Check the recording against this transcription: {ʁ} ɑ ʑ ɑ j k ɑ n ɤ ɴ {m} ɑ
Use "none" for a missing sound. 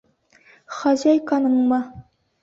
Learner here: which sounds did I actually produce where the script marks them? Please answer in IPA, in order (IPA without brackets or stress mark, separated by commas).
χ, m